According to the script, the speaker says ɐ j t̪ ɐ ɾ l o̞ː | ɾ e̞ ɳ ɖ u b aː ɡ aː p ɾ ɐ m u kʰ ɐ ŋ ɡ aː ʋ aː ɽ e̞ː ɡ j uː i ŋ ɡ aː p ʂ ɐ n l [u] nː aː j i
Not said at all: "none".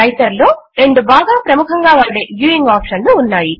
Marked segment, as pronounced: uː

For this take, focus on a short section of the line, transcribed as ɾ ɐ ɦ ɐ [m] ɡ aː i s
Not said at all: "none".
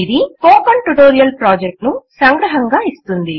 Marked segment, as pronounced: ŋ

